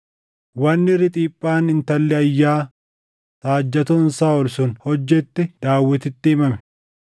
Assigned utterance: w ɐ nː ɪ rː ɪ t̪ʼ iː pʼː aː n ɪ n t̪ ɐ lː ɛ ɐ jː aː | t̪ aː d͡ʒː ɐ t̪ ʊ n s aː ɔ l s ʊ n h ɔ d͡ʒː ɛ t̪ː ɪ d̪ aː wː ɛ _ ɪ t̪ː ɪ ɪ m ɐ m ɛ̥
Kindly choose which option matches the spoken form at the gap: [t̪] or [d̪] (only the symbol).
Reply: t̪